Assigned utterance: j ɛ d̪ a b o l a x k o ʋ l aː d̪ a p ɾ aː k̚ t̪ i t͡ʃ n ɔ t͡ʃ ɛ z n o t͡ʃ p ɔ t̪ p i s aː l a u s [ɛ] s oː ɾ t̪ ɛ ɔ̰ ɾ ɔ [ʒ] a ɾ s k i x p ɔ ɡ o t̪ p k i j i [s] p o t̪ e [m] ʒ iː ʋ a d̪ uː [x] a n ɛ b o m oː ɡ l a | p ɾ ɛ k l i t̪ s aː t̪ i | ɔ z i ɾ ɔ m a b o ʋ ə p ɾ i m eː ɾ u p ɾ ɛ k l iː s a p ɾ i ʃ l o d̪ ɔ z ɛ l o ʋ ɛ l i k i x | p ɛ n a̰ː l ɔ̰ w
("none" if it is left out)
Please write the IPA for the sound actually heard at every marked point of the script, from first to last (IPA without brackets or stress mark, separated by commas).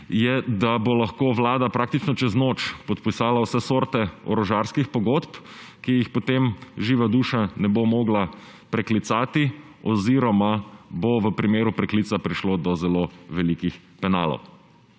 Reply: ɛ, ʒ, x, m, ʃ